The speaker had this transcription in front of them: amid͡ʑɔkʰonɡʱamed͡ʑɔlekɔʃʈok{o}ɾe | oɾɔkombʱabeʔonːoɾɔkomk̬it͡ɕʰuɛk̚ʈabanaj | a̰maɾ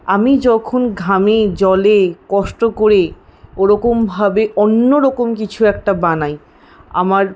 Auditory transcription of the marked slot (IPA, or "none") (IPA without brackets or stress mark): o